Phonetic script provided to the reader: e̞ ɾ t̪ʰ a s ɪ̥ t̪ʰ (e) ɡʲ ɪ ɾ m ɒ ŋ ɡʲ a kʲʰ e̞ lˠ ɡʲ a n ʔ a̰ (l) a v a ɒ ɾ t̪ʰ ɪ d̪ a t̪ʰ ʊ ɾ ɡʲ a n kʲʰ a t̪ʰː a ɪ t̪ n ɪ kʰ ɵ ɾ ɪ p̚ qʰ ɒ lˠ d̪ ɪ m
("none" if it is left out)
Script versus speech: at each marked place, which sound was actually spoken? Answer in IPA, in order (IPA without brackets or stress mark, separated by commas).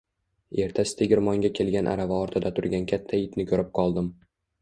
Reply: e, ɾ